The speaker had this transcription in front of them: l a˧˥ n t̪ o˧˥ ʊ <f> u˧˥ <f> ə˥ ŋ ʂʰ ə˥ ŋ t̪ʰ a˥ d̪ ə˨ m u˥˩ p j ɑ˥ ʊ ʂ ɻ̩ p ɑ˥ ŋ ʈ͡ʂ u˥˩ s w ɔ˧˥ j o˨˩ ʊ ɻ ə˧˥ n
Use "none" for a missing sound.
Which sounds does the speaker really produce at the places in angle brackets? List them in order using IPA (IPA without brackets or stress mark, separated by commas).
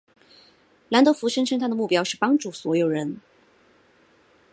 f, ʂ